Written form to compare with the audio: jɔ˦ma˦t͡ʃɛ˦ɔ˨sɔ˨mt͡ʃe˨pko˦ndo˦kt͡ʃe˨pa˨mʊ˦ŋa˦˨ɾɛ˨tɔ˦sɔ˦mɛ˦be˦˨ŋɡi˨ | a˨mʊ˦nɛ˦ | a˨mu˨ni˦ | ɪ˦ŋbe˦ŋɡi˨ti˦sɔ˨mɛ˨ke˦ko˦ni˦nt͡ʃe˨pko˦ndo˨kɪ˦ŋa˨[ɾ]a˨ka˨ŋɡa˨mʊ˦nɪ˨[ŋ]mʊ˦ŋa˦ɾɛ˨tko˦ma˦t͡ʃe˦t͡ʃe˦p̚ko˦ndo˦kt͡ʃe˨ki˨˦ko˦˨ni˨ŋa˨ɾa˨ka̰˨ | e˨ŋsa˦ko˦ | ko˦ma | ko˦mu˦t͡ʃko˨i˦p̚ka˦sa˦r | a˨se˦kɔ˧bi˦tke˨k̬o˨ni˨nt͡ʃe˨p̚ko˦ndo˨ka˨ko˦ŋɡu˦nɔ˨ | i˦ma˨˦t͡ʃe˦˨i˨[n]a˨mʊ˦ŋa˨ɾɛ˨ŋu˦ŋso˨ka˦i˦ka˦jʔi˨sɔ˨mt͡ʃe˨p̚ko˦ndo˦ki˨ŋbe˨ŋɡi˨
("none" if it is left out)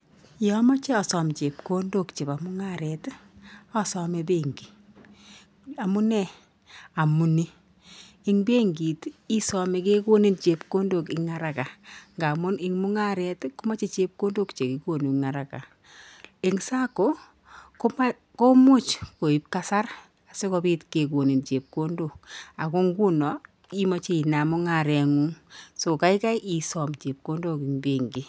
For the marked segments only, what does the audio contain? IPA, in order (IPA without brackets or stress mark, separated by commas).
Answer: ɾ, ŋ, n